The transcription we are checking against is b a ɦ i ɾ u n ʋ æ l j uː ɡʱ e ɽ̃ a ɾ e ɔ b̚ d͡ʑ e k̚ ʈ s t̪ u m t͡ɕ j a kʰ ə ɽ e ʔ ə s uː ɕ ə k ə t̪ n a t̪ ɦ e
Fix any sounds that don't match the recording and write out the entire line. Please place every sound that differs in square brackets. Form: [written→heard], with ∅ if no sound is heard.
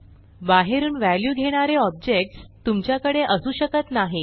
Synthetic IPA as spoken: b a ɦ [i→e] ɾ [u→uː] n ʋ æ l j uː ɡʱ e ɽ̃ a ɾ e ɔ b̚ d͡ʑ e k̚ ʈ s t̪ u m t͡ɕ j a [kʰ→k] ə ɽ e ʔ ə s uː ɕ ə k ə t̪ n a [t̪→∅] ɦ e